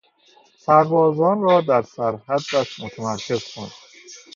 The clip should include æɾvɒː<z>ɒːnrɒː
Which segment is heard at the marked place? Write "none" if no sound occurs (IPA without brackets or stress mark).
z